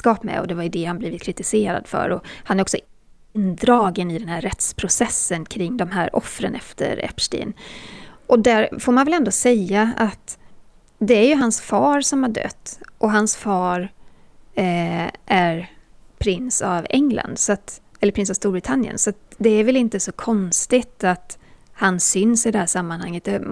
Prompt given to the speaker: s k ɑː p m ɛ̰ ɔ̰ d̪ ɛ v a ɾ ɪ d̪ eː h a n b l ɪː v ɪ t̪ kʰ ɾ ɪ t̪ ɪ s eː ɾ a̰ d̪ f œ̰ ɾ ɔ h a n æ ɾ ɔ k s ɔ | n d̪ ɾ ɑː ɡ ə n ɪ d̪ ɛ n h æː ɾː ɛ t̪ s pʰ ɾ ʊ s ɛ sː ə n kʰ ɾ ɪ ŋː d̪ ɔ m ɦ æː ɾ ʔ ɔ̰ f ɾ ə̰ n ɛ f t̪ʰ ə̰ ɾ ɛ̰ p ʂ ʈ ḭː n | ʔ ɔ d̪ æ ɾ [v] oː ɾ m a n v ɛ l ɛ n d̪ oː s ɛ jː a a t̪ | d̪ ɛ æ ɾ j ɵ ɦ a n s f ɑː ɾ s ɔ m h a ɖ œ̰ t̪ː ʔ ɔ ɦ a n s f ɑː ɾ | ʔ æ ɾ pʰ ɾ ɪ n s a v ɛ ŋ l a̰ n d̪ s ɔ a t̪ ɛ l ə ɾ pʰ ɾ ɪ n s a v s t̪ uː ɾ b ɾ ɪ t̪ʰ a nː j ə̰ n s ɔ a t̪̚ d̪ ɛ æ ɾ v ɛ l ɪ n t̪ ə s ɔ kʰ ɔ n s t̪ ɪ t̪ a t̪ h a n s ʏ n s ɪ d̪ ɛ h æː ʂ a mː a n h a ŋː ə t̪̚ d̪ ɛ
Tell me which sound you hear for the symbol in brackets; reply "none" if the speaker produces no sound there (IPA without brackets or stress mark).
f